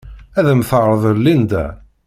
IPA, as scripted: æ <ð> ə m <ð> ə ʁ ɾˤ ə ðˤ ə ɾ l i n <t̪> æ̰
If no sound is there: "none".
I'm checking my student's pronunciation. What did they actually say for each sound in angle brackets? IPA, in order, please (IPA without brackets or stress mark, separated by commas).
ð, θ, d̪